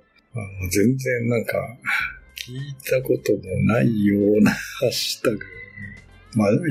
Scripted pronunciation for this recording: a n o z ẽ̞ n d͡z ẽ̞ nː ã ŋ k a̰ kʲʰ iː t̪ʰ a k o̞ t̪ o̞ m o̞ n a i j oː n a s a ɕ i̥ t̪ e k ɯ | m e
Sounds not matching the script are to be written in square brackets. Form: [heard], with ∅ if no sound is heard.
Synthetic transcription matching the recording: a n o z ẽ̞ n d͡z ẽ̞ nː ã ŋ k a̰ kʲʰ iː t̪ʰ a k o̞ t̪ o̞ m o̞ n a i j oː n a [h] a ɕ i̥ t̪ [a] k ɯ | m [a]